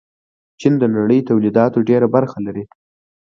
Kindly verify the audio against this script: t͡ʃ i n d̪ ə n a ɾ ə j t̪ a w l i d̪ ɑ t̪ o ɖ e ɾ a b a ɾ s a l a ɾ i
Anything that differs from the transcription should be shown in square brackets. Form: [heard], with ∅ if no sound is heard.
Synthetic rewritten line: t͡ʃ i n d̪ ə n a [ɽ] ə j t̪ a w l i d̪ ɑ t̪ o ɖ e ɾ a b a ɾ [x] a l a ɾ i